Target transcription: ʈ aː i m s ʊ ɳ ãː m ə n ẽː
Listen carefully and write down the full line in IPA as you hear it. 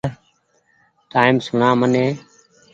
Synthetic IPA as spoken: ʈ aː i m s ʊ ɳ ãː m ə n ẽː